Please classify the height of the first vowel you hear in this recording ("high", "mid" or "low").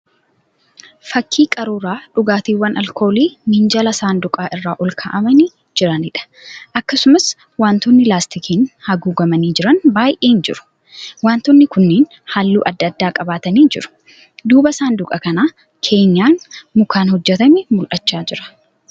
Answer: low